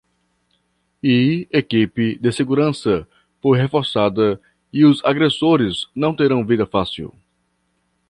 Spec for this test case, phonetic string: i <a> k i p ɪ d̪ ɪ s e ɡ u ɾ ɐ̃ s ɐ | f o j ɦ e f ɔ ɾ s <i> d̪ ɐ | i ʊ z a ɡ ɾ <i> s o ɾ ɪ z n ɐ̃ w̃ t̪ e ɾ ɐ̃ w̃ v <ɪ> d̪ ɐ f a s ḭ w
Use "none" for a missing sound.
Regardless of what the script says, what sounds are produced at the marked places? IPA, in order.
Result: e, a, e, i

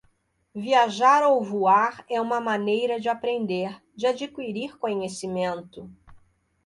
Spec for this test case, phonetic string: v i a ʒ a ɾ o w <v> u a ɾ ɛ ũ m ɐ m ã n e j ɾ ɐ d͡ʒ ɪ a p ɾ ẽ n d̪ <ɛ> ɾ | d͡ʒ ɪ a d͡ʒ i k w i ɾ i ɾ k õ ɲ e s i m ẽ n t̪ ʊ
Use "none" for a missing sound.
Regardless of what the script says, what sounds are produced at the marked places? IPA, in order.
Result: v, e

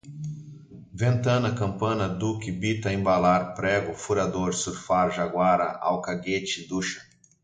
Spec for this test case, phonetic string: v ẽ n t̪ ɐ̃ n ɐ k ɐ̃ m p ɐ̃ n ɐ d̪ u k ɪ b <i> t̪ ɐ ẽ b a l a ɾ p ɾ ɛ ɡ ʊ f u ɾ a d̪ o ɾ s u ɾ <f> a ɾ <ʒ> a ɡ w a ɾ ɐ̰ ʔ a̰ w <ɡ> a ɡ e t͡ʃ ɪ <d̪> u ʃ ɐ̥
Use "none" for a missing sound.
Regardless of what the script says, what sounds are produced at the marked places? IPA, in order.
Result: i, f, ʒ, k, d̪

